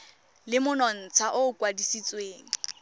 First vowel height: high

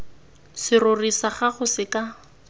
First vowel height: high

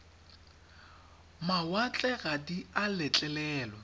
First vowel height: low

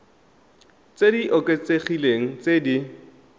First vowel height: mid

